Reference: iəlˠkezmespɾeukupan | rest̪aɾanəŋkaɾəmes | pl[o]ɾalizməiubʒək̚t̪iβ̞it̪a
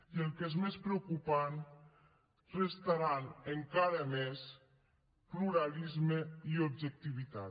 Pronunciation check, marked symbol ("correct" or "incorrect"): incorrect